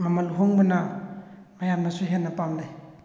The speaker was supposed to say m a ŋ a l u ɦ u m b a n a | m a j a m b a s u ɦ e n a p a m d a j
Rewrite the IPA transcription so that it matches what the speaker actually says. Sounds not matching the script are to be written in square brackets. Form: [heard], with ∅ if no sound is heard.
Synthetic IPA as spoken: m a [m] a l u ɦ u [ŋ] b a n a | m a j a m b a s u ɦ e n a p a m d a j

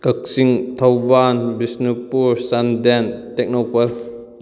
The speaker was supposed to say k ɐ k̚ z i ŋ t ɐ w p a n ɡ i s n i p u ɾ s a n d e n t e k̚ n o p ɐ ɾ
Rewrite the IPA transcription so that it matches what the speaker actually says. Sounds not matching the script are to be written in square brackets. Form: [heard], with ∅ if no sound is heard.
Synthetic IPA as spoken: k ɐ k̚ [s] i ŋ [tʰ] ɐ w [b] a n [b] i s n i p u ɾ s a n d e n t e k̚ n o p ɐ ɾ

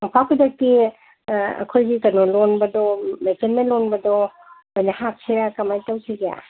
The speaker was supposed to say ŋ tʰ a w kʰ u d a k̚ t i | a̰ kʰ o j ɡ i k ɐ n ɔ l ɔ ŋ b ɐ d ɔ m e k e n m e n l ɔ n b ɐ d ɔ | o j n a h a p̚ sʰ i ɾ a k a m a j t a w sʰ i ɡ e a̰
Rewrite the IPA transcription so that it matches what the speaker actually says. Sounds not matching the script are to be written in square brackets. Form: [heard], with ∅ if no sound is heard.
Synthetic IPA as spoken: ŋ [pʰ] a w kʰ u d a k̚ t i | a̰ kʰ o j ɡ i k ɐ n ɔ l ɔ [n] b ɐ d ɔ m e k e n m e n l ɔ n b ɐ d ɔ | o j n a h a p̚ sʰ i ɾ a k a m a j t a w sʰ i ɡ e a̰

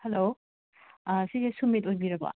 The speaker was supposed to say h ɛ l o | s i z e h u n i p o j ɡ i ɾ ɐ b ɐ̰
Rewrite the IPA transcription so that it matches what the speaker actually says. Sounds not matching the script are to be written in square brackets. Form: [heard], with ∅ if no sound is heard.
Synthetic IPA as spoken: h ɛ l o | s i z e [s] u [m] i [t] o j [b] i ɾ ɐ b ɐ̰

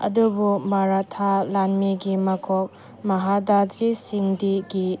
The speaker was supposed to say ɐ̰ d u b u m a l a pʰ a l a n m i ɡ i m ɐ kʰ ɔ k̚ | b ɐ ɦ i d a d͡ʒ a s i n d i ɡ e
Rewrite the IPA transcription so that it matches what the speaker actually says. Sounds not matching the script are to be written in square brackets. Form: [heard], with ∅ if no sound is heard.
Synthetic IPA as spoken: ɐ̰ d u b u m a [ɾ] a [tʰ] a l a n m i ɡ i m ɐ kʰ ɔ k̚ | [m] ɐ ɦ [a] d a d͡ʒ [i] s i [ŋ] d i ɡ [i]

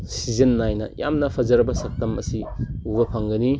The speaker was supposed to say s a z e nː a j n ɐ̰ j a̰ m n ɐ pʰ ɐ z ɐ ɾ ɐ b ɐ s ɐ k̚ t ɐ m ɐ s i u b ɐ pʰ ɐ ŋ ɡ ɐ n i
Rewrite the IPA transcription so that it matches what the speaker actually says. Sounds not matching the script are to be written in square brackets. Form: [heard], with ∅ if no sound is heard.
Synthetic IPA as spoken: s [i] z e nː a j n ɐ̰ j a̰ m n ɐ pʰ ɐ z ɐ ɾ ɐ b ɐ s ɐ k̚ t ɐ m ɐ s i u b ɐ pʰ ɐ ŋ ɡ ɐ n i

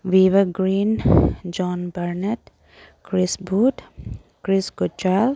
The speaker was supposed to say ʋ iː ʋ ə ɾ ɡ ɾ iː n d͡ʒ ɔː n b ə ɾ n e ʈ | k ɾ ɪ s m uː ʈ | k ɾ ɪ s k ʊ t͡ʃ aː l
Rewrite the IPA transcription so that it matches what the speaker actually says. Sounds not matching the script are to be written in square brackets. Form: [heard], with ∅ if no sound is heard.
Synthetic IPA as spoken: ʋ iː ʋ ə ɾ ɡ ɾ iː n d͡ʒ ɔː n b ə ɾ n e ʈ | k ɾ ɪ s [b] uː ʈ | k ɾ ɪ s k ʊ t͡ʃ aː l

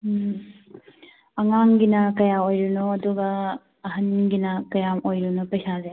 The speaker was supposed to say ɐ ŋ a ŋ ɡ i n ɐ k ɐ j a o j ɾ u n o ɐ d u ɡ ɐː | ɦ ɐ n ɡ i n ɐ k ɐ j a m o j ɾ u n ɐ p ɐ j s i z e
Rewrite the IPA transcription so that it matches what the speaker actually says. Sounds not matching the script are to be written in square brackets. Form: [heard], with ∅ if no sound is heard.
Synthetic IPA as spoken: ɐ ŋ a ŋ ɡ i n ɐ k ɐ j a o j ɾ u n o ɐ d u ɡ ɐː | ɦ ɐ n ɡ i n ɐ k ɐ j a m o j ɾ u n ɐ p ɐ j s [a] z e

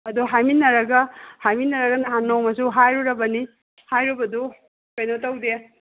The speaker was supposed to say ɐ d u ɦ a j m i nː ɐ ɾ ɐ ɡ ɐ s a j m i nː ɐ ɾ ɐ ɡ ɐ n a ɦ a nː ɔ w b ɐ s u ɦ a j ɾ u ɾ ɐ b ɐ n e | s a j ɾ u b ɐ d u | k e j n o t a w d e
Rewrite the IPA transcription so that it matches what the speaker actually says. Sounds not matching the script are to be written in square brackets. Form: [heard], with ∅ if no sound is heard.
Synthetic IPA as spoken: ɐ d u ɦ a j m i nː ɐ ɾ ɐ ɡ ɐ [h] a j m i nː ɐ ɾ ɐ ɡ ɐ n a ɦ a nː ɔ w [m] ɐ s u ɦ a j ɾ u ɾ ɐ b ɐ n [i] | [h] a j ɾ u b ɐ d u | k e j n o t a w d e

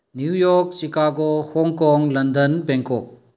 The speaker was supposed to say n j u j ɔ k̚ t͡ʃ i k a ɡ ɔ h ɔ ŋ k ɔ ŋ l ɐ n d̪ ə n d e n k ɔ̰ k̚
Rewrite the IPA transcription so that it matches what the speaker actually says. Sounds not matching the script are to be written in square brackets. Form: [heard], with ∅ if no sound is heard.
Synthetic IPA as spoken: n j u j ɔ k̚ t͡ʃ i k a ɡ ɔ h ɔ ŋ k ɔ ŋ l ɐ n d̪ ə n [b] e [ŋ] k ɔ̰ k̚

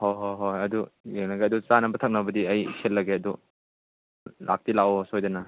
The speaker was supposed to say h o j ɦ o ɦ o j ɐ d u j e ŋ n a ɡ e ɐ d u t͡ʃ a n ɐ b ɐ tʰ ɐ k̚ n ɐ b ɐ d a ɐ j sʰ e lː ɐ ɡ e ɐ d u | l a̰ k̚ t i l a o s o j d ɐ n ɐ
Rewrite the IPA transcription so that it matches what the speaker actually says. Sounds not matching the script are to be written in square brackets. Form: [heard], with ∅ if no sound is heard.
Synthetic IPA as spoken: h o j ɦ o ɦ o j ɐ d u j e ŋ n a ɡ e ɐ d u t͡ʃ a n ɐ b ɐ tʰ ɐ k̚ n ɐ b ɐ d [i] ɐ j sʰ e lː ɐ ɡ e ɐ d u | l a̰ k̚ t i l a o s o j d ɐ n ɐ

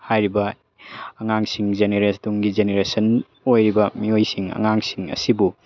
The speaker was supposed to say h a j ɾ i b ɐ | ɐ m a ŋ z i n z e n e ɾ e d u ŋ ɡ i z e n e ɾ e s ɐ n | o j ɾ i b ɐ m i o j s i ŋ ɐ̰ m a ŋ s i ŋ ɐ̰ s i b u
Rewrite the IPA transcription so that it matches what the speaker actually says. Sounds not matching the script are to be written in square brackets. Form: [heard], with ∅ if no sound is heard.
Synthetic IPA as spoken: h a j ɾ i b ɐ | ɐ [ŋ] a ŋ [s] i [ŋ] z e n e ɾ e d u ŋ ɡ i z e n e ɾ e s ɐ n | o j ɾ i b ɐ m i o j s i ŋ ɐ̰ [ŋ] a ŋ s i ŋ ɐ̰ s i b u

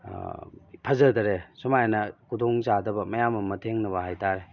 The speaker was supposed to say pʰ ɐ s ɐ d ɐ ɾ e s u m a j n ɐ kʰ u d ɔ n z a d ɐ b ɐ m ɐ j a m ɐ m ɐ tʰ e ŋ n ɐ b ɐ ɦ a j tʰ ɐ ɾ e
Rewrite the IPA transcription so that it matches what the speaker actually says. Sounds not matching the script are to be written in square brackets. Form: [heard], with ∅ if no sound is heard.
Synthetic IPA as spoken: pʰ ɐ [z] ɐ d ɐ ɾ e s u m a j n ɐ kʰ u d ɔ [ŋ] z a d ɐ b ɐ m ɐ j a m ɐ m ɐ tʰ e ŋ n ɐ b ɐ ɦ a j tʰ [a] ɾ e

